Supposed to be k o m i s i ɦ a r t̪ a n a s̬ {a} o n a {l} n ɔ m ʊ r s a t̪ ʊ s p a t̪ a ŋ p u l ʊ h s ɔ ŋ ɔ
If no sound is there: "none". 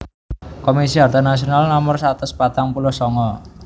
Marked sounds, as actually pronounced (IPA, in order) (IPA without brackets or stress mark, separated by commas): i, l